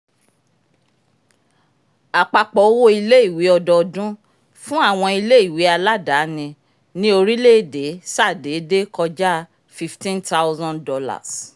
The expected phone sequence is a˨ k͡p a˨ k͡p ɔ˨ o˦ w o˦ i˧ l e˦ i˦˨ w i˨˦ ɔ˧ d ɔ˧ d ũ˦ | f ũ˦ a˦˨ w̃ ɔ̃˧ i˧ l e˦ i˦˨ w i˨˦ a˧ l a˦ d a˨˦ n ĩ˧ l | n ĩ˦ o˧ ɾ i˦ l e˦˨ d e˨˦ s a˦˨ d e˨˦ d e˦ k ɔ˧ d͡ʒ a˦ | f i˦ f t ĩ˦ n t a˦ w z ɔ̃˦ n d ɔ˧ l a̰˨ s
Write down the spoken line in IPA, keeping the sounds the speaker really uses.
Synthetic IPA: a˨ k͡p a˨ k͡p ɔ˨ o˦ w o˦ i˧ l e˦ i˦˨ w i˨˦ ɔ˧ d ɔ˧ d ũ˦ | f ũ˦ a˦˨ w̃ ɔ̃˧ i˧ l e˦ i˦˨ w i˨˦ a˧ l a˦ d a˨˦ n ĩ˧ | n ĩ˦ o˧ ɾ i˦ l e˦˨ d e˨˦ s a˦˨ d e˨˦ d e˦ k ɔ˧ d͡ʒ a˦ | f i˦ f t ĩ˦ n t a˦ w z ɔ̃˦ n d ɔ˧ l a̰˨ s